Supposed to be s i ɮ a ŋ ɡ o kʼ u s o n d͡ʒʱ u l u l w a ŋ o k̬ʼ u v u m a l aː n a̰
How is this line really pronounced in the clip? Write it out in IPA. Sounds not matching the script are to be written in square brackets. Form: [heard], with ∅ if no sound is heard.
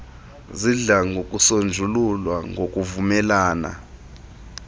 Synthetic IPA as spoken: [z] i ɮ a ŋ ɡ o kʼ u s o n d͡ʒʱ u l u l w a ŋ o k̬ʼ u v u m [ɛ] l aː n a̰